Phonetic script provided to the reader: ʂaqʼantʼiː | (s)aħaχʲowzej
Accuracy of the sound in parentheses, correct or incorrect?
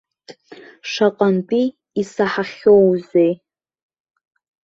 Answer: correct